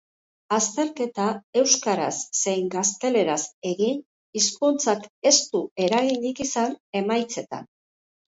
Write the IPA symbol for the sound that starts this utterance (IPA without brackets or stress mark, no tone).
a